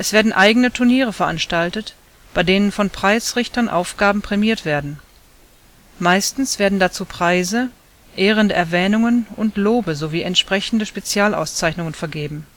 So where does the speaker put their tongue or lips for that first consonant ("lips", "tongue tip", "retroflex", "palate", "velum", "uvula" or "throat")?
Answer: throat